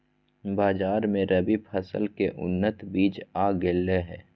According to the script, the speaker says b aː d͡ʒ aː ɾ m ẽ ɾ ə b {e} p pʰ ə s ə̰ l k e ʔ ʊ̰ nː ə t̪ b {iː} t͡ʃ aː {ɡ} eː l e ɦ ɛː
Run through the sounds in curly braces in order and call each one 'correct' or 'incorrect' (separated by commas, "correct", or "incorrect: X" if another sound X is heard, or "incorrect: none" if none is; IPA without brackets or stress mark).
incorrect: i, correct, correct